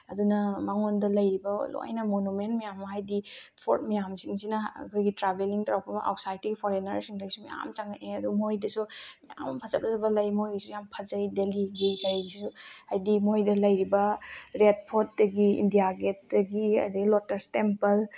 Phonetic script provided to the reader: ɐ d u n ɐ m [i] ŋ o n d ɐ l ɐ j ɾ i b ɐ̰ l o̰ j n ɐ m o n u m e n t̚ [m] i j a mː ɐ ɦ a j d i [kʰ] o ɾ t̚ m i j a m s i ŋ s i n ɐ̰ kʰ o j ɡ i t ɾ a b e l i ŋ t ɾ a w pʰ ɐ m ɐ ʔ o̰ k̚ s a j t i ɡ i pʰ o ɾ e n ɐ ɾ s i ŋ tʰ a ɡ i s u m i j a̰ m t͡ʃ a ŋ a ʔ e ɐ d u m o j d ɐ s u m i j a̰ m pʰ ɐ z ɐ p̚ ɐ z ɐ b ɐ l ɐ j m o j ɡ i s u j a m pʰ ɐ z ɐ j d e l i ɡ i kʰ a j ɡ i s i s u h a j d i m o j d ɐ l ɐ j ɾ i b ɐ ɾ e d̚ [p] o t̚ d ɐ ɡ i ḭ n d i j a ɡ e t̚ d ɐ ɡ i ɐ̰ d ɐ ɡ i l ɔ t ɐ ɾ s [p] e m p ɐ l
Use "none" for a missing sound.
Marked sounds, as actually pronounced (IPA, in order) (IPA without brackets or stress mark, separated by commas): a, m, pʰ, pʰ, t